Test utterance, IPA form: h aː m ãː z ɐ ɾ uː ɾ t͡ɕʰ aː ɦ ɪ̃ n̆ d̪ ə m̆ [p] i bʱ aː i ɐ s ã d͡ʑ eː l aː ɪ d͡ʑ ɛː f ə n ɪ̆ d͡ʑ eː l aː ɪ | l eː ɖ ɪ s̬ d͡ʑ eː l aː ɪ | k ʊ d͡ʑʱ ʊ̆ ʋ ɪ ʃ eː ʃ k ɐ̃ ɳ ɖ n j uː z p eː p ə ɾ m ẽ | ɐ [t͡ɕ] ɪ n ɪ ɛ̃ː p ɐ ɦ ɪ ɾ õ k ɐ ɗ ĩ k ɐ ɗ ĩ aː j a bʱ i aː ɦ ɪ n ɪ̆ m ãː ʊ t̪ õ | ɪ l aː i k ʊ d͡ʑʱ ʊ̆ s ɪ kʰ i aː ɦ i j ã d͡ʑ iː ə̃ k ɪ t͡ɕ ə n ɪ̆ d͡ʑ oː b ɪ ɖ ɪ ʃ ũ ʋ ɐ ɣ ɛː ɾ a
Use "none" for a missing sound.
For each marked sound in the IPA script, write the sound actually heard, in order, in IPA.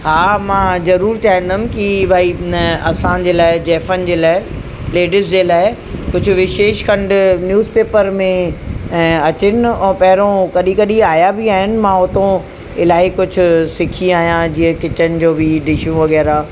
k, t͡ɕ

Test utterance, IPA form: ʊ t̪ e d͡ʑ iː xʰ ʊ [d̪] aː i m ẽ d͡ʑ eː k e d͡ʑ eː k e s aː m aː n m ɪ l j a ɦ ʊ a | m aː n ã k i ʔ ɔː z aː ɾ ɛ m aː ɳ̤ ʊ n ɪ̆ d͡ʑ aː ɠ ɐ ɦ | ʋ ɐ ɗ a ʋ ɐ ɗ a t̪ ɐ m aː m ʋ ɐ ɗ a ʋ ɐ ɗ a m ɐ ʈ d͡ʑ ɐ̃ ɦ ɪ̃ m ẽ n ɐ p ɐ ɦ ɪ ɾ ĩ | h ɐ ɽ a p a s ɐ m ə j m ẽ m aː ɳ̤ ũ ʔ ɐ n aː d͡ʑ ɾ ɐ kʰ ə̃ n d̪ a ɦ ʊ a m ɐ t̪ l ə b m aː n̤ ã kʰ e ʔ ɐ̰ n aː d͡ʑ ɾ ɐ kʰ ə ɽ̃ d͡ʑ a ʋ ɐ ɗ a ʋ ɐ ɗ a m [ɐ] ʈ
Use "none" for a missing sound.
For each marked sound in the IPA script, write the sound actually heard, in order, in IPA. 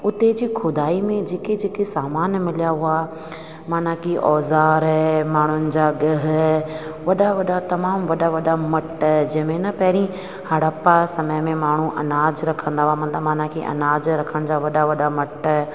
d̪, ɐ

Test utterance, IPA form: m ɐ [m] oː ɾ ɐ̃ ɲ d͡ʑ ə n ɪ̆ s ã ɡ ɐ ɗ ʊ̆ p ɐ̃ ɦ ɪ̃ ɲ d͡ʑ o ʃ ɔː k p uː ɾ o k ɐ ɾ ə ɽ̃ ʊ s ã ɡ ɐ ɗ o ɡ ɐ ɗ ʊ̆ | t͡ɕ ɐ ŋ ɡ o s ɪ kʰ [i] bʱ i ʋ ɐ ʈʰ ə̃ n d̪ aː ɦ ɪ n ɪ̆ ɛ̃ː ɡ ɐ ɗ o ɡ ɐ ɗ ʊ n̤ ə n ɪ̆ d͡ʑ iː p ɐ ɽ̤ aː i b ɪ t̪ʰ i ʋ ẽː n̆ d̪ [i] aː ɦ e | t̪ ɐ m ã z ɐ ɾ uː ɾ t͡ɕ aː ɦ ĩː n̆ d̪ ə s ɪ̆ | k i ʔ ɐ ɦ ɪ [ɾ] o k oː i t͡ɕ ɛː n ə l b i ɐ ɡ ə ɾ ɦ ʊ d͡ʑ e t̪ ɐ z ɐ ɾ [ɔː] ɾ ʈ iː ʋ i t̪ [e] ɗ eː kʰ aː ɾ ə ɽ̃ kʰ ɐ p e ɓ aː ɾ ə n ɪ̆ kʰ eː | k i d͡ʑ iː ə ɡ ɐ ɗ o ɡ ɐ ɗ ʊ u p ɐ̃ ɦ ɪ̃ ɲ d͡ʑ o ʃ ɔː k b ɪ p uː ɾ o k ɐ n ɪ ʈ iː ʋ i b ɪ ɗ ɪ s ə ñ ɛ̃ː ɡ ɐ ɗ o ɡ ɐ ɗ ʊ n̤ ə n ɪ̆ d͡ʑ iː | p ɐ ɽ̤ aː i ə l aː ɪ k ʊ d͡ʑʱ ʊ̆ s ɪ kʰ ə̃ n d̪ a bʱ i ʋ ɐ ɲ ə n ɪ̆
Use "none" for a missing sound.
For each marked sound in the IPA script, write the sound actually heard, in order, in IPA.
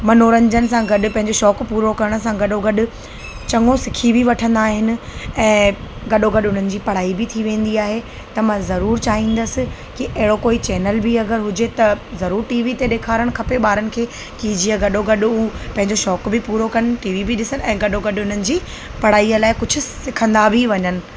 n, i, i, ɽ, uː, e

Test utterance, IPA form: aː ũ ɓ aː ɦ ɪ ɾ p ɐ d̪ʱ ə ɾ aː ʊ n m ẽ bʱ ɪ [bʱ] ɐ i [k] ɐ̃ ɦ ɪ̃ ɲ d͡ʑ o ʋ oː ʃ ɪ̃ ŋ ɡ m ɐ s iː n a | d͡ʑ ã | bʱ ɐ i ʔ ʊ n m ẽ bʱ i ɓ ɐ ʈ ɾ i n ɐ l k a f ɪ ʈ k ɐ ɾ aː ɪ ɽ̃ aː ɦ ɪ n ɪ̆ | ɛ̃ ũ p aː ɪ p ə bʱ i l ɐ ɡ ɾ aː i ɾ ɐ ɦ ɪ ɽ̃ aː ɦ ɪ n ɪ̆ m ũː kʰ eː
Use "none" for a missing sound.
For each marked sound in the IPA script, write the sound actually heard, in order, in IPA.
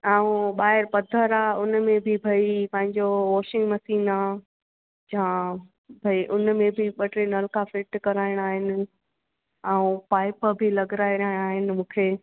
bʱ, p

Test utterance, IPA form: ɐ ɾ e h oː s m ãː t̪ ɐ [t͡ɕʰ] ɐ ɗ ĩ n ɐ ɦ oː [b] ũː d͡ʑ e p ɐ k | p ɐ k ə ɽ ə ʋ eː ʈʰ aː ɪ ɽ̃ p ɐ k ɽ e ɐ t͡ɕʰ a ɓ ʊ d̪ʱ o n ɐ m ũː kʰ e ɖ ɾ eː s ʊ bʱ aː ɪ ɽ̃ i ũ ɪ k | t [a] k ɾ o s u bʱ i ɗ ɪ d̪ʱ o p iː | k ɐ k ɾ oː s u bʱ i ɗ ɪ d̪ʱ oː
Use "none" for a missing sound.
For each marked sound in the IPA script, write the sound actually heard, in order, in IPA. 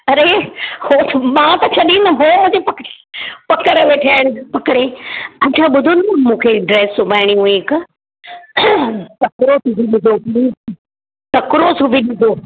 t͡ɕʰ, m, ɐ

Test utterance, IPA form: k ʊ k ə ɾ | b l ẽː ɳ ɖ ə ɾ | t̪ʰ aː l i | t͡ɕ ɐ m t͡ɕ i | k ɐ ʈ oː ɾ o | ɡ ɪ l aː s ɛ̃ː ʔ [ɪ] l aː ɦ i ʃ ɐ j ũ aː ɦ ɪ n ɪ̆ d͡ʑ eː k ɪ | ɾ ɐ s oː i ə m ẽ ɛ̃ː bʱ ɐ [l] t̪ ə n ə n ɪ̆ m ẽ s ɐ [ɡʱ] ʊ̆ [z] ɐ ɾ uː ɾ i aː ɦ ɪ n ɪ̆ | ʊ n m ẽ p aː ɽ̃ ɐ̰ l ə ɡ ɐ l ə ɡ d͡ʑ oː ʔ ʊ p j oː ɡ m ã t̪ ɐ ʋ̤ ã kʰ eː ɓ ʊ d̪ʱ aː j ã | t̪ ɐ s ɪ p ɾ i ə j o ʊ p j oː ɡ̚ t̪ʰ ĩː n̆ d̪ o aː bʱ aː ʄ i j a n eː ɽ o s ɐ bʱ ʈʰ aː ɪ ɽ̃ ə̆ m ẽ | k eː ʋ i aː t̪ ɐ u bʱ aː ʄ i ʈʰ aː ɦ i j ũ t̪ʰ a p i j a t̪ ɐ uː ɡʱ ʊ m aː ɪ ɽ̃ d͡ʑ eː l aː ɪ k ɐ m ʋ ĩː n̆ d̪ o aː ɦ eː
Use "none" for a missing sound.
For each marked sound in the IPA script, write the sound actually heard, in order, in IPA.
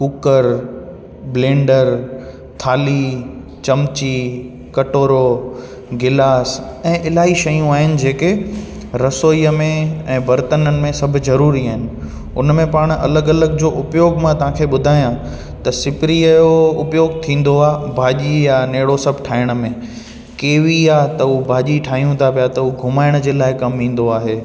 ɪ, ɾ, bʱ, z

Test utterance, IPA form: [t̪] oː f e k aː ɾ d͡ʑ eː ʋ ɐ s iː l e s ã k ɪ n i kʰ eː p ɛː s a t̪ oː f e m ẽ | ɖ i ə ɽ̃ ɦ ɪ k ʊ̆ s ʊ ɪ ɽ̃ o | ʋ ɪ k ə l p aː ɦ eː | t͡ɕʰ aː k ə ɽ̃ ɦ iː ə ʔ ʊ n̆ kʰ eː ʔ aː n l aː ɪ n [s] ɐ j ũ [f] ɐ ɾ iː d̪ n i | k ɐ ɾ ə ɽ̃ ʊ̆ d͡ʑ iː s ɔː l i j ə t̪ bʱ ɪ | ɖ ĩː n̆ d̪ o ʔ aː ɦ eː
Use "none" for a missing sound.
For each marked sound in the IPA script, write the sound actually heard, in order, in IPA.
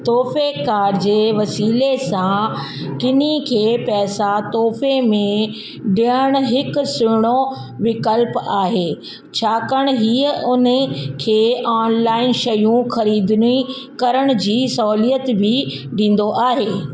t̪, ʃ, x

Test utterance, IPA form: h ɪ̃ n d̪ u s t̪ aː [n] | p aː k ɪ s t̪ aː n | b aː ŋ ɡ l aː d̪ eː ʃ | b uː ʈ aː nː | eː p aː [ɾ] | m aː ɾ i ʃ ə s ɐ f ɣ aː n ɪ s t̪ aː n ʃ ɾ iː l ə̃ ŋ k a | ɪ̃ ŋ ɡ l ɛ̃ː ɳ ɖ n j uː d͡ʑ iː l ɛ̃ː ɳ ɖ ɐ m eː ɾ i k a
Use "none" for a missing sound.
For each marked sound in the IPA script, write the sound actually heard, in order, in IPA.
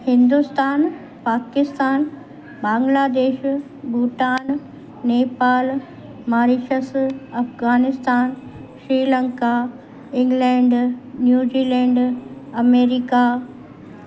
n, l

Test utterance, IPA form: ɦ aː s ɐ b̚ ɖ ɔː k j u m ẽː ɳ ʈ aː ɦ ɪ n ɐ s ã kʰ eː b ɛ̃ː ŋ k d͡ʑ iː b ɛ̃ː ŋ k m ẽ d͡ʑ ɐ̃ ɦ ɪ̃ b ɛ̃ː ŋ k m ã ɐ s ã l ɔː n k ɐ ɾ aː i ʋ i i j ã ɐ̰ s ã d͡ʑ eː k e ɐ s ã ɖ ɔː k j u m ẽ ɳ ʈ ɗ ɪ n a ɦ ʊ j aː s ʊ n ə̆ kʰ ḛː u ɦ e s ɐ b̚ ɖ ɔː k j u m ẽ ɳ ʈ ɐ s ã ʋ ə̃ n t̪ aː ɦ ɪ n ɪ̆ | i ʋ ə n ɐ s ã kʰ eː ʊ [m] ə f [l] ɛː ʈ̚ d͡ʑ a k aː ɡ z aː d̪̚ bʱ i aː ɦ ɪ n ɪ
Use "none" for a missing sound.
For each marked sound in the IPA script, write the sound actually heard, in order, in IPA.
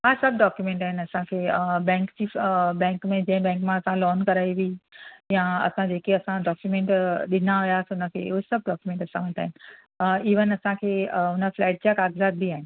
n, l

